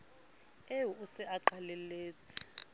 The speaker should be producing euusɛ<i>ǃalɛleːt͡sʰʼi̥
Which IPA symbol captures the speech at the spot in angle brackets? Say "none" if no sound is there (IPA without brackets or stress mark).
a